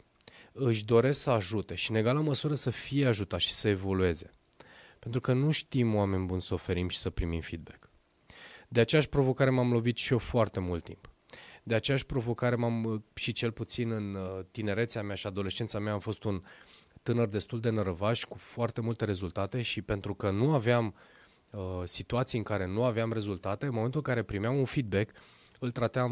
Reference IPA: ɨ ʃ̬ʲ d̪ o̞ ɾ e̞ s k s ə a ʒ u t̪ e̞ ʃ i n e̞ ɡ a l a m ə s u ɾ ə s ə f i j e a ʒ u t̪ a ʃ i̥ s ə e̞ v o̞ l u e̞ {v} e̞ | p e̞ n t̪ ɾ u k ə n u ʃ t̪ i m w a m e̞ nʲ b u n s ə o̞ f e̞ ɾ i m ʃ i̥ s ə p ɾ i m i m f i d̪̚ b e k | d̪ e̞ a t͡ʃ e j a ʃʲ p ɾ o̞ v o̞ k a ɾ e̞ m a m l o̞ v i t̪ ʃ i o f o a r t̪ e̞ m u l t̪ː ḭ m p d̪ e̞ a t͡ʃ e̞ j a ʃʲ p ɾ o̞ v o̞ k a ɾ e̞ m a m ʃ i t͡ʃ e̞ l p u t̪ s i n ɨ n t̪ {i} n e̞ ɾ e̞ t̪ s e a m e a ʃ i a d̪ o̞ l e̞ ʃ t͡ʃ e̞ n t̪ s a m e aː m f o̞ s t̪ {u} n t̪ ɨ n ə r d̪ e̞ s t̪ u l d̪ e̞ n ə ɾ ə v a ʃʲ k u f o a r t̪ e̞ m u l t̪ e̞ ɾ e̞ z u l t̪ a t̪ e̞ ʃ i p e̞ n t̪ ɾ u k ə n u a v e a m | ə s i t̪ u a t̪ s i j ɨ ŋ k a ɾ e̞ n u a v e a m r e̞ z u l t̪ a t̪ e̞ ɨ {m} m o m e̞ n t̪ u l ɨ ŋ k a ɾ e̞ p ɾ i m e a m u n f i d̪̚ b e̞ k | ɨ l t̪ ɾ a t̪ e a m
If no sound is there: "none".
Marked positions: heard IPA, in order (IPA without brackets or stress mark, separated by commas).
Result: z, i, u, n